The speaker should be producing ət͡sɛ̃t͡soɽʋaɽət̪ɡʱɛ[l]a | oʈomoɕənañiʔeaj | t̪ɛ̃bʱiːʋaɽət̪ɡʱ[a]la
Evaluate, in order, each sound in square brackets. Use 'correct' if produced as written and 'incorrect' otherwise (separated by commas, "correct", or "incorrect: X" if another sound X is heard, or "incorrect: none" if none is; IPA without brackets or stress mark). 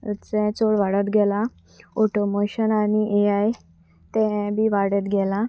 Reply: correct, incorrect: ɛ